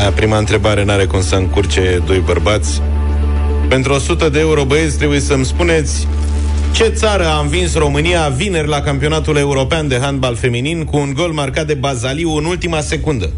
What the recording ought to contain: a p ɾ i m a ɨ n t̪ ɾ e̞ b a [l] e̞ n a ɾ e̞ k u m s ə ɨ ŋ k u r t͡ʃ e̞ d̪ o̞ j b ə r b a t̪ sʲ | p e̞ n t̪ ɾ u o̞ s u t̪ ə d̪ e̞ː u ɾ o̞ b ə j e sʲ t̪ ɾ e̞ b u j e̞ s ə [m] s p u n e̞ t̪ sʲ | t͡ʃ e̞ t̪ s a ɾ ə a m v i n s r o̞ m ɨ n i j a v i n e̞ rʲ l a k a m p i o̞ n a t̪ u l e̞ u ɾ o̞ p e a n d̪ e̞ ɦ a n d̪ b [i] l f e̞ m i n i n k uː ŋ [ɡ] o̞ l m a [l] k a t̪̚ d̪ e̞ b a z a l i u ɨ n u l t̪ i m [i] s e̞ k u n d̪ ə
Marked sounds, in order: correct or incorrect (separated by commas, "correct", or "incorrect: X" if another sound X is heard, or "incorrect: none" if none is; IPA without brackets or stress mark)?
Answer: incorrect: ɾ, correct, incorrect: a, correct, incorrect: r, incorrect: a